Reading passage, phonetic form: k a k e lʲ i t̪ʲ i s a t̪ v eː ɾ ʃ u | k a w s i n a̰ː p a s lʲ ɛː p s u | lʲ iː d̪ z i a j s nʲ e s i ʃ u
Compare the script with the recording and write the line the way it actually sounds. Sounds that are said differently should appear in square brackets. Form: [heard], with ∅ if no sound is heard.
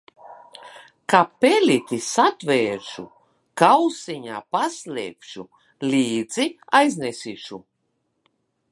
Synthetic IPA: k a [p] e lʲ i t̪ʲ i s a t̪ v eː ɾ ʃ u | k a w s i [ɲ] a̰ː p a s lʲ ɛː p [ʃ] u | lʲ iː d̪ z i a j [z] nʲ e s i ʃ u